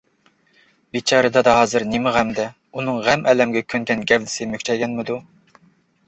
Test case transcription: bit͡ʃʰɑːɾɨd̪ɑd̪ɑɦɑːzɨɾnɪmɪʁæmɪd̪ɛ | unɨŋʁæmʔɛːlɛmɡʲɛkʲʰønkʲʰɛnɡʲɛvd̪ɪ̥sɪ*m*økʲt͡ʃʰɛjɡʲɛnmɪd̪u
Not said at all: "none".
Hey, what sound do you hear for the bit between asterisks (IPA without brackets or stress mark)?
m